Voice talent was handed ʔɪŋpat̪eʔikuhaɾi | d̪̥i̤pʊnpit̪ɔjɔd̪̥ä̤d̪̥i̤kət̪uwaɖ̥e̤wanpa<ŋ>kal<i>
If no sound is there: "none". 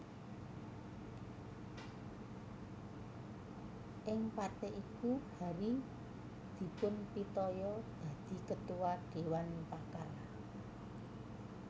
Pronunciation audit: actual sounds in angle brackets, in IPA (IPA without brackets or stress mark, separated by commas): none, a